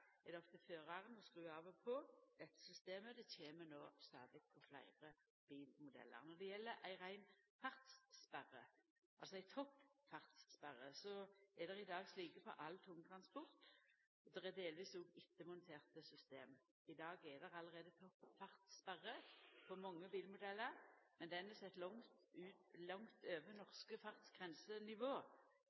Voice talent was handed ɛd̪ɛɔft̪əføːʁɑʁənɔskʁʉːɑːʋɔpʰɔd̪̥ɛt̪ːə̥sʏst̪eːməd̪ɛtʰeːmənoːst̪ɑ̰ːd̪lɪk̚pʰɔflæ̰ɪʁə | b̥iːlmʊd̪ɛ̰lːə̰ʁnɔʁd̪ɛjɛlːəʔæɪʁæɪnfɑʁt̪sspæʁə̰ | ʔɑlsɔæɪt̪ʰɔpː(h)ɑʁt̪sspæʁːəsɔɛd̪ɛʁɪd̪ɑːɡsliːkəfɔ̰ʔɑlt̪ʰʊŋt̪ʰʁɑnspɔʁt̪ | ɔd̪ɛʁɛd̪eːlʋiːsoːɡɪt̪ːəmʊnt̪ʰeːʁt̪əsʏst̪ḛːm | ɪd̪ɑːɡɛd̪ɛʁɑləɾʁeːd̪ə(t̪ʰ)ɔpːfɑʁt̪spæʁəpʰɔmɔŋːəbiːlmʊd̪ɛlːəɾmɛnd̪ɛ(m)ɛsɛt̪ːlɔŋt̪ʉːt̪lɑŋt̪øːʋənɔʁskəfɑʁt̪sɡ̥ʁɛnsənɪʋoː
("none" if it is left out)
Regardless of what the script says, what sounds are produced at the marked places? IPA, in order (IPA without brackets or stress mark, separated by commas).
f, t̪ʰ, n